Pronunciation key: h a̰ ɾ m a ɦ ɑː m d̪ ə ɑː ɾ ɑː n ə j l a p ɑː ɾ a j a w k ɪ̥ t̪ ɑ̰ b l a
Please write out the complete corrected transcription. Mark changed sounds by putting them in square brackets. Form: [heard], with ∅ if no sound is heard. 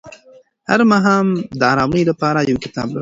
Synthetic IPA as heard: h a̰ ɾ m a ɦ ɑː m d̪ ə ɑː ɾ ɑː [m] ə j l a p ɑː ɾ a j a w k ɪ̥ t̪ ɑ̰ b l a